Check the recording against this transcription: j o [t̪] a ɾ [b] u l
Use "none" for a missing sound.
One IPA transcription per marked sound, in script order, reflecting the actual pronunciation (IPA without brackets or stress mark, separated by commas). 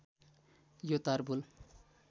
t̪, b